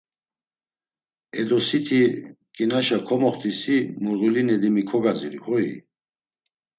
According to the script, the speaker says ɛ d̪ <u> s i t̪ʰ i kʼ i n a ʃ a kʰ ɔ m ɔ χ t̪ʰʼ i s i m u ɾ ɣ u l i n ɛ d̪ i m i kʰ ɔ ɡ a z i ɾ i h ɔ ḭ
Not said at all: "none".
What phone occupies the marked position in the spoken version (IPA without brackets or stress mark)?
ɔ